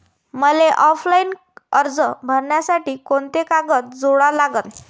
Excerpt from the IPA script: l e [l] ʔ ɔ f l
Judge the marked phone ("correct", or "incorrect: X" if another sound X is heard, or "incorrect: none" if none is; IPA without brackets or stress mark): incorrect: none